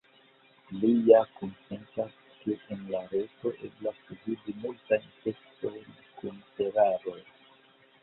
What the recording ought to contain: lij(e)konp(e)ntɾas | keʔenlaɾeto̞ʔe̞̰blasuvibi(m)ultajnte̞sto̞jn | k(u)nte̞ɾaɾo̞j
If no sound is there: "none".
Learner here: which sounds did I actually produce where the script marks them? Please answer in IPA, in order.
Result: a, e, m, u

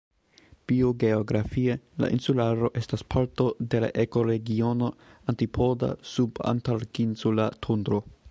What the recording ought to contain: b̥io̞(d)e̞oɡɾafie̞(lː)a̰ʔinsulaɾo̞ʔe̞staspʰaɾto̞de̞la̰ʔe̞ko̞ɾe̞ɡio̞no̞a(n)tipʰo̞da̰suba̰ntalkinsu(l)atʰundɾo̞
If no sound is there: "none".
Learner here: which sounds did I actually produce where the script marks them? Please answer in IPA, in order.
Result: ɡ, l, n, l

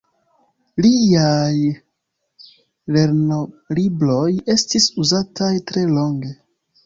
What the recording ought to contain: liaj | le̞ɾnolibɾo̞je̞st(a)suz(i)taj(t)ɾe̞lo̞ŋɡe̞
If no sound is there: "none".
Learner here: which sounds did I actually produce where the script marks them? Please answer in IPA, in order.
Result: i, a, t

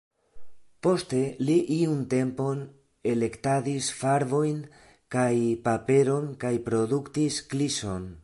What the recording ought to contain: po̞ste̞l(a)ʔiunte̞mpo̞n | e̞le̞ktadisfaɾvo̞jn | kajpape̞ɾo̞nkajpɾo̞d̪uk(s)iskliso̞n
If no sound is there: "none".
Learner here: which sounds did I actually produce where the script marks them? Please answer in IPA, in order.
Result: i, t

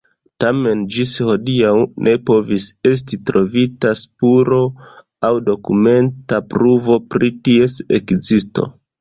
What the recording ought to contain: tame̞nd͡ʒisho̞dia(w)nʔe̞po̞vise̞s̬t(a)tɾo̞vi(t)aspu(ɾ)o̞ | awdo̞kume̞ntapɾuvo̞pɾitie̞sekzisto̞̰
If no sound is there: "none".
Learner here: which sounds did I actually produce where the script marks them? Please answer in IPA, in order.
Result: w, i, t, ɾ

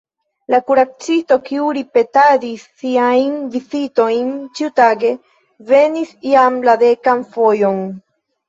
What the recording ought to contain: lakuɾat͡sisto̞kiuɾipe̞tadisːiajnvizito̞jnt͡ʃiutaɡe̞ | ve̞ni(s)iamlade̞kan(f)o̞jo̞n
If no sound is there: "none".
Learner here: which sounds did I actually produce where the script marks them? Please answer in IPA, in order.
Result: s, f

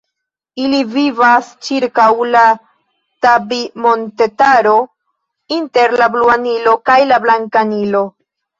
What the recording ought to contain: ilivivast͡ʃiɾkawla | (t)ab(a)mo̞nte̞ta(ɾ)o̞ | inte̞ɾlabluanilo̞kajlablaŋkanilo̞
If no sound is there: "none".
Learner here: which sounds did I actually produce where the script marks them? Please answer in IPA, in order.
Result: t, i, ɾ

